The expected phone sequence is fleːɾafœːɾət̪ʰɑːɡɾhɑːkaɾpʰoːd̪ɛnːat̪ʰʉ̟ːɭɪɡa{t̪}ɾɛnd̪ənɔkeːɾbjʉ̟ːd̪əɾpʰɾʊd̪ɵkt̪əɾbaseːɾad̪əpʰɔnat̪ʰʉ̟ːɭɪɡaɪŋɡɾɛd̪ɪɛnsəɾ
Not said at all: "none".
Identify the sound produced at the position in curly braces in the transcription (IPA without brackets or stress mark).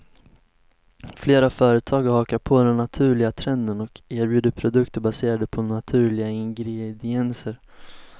t̪ʰ